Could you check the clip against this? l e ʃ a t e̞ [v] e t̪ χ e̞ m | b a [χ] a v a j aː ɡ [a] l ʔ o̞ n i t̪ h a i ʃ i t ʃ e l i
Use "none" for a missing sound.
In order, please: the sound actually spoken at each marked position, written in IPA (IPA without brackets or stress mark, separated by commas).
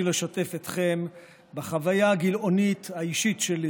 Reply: f, χ, i